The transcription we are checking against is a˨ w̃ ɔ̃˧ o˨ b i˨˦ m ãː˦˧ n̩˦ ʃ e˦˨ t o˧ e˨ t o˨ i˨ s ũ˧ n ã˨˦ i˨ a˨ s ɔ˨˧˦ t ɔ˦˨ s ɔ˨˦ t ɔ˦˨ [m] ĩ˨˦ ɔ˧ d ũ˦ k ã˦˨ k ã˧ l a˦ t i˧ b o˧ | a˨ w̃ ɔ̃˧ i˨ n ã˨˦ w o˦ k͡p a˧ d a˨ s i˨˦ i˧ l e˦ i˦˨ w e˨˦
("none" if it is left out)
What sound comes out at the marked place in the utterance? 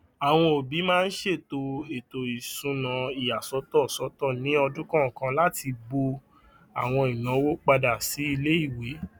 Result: n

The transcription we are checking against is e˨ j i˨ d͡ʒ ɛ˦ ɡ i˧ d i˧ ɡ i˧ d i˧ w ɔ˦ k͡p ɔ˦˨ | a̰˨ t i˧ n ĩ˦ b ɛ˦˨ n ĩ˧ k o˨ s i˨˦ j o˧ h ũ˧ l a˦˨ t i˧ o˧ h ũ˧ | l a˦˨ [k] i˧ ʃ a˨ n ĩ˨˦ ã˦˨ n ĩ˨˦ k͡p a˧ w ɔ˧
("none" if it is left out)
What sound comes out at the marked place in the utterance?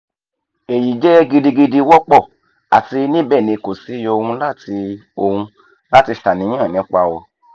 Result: t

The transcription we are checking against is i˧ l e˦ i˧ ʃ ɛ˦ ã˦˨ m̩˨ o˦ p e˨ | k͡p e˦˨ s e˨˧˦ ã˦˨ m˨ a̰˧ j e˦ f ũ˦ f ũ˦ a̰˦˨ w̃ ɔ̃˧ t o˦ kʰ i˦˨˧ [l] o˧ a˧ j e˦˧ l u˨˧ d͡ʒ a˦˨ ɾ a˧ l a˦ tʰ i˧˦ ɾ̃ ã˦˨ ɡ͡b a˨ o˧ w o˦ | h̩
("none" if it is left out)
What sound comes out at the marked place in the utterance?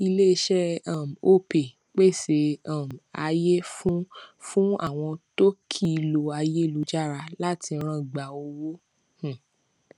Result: l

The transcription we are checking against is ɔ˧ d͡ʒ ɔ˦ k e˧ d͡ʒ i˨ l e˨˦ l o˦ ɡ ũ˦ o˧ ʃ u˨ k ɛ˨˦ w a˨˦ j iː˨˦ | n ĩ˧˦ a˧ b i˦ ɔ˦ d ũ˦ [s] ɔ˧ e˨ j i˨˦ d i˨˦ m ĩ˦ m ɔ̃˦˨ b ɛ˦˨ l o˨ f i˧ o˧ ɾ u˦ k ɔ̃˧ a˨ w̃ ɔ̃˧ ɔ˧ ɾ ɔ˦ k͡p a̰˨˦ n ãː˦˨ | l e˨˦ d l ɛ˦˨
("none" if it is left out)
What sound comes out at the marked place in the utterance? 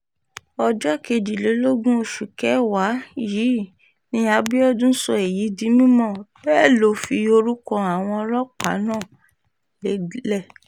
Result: s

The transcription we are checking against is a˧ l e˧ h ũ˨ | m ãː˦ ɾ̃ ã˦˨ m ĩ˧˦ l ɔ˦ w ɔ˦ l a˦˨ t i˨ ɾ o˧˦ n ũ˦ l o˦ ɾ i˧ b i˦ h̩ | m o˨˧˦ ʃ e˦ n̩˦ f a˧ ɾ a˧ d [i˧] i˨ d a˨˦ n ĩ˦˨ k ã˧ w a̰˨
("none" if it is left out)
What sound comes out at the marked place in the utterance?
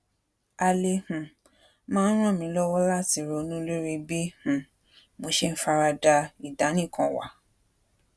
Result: a˧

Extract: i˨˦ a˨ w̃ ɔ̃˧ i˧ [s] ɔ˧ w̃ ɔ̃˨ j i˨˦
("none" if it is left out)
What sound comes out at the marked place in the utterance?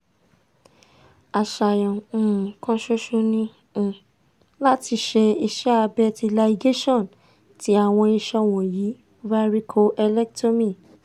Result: ʃ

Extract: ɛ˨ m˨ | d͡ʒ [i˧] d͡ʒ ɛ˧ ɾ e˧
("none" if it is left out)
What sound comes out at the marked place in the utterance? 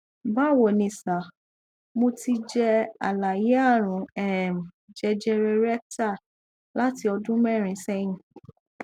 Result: ɛ˧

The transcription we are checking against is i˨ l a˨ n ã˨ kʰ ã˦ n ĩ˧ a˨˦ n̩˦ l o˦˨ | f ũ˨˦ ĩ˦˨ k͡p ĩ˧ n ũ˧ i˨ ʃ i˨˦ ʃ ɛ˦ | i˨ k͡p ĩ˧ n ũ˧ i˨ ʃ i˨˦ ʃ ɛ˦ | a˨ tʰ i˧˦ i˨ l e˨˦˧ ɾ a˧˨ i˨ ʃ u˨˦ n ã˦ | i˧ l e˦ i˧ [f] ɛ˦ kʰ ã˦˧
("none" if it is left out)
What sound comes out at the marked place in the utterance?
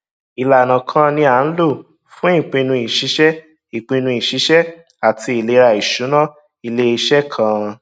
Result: ʃ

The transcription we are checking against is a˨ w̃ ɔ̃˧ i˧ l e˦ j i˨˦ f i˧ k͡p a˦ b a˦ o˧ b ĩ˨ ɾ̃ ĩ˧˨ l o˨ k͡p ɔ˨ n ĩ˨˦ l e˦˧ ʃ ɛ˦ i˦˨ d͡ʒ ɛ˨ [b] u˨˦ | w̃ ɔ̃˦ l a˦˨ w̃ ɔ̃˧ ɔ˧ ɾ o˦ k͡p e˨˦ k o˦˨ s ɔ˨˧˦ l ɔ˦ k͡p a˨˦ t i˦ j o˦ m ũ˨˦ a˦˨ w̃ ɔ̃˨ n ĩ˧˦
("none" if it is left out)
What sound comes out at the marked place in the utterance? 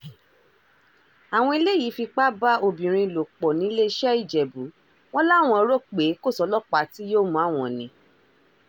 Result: b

